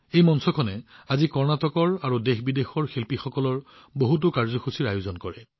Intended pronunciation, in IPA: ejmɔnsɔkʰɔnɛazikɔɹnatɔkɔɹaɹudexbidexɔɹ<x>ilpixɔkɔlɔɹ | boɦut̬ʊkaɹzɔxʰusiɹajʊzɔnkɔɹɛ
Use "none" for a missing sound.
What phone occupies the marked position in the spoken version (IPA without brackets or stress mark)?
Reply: x